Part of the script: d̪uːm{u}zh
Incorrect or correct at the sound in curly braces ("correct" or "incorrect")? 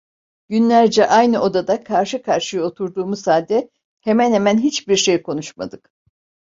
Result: correct